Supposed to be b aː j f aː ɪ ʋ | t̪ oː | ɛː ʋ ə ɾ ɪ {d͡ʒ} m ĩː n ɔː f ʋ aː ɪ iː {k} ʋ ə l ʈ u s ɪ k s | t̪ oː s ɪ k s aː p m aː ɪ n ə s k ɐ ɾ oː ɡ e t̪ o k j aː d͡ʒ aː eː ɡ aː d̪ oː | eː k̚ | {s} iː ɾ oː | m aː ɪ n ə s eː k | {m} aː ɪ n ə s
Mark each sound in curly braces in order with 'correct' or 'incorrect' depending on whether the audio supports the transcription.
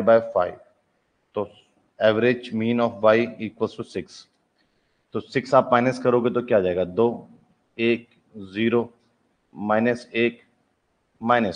correct, correct, incorrect: z, correct

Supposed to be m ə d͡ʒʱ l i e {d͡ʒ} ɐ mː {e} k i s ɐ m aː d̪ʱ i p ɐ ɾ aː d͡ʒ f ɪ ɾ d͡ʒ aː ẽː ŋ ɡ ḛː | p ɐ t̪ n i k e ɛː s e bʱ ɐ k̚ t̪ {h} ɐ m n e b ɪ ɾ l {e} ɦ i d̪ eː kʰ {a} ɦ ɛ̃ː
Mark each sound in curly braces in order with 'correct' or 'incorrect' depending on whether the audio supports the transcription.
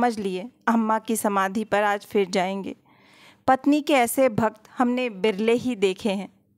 incorrect: none, incorrect: a, correct, correct, incorrect: e

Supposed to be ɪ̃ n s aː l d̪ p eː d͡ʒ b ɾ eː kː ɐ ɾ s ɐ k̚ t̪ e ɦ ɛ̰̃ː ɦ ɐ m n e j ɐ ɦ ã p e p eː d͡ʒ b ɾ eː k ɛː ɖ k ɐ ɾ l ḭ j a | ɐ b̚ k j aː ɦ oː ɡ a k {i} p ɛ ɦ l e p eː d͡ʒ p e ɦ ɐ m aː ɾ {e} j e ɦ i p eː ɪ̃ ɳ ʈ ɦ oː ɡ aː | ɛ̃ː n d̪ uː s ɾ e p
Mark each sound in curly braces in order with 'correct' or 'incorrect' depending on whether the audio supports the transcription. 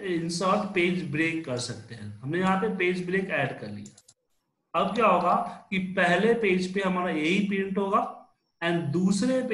correct, incorrect: a

